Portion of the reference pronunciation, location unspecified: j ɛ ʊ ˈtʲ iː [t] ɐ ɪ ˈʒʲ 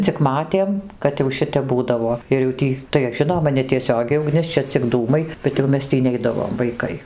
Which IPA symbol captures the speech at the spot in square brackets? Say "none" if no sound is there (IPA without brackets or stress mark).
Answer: t